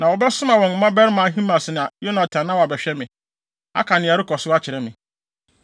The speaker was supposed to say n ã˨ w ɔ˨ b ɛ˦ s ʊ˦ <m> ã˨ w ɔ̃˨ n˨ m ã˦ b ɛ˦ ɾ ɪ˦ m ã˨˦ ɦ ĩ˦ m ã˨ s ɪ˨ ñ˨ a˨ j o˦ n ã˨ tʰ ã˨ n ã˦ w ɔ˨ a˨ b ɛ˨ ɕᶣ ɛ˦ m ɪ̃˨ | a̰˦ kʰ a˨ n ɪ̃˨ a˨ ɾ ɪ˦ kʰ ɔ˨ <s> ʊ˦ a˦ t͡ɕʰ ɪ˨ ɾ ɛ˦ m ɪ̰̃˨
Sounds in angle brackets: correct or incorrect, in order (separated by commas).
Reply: correct, correct